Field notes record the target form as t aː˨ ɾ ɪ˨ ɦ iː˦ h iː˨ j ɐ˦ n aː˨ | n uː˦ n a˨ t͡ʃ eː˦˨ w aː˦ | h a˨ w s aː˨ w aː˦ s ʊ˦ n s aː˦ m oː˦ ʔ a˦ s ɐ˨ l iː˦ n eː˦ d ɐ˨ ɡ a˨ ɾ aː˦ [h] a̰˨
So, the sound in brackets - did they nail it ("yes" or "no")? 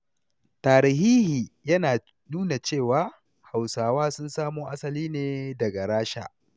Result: no